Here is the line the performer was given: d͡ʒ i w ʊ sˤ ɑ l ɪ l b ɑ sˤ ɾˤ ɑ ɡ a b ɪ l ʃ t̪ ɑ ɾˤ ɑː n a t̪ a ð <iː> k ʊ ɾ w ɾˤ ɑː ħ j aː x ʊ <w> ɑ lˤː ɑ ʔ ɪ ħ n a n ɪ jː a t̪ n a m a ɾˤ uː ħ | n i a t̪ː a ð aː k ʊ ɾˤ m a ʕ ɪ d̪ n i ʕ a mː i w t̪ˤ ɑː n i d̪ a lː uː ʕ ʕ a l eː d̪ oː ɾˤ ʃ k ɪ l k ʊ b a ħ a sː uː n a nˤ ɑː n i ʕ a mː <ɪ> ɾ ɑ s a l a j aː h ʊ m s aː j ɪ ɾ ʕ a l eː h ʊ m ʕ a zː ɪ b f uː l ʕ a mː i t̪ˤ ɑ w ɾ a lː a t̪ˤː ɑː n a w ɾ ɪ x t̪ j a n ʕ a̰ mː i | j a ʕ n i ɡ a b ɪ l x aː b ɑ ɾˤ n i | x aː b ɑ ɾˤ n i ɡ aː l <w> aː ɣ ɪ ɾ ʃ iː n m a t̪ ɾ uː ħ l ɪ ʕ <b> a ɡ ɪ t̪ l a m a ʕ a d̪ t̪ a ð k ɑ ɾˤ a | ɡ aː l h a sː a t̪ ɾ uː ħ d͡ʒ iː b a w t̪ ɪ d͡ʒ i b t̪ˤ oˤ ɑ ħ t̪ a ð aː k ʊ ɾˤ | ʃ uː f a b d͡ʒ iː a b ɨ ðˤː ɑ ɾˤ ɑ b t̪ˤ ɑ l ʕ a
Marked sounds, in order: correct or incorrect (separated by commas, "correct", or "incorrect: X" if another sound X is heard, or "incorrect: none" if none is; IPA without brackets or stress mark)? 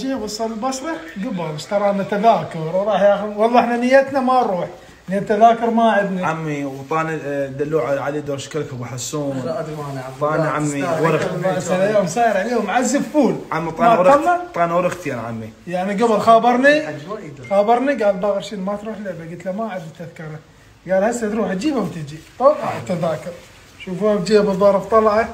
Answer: incorrect: aː, correct, incorrect: i, incorrect: b, correct